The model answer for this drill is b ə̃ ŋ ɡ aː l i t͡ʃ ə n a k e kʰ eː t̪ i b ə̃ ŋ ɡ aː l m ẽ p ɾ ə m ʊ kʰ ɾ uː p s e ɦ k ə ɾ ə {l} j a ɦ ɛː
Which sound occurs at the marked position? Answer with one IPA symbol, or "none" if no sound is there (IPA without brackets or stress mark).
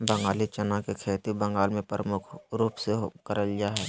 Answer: l